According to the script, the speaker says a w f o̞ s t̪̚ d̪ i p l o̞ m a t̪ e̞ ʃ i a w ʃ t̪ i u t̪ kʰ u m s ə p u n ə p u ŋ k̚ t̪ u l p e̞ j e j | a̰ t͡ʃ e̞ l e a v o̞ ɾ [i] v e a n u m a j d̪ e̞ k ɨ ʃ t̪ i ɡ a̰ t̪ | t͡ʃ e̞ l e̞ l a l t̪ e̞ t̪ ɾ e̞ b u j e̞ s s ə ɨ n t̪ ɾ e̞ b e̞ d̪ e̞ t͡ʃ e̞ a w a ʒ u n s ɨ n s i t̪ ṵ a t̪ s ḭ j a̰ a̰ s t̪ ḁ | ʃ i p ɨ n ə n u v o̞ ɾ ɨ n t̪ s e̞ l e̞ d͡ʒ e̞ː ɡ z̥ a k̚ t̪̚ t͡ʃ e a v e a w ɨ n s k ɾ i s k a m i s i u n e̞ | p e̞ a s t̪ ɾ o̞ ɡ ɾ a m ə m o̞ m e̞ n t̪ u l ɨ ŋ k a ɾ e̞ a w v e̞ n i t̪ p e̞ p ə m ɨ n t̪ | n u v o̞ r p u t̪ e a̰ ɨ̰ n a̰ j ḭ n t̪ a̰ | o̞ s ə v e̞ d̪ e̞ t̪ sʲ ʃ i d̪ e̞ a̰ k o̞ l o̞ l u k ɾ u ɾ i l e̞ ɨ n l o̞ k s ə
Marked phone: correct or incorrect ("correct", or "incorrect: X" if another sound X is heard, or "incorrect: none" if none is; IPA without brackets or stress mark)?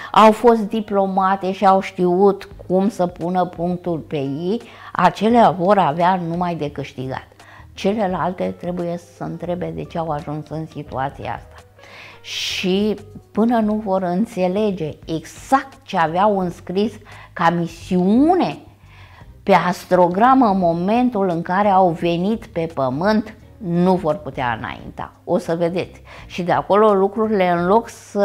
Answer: incorrect: a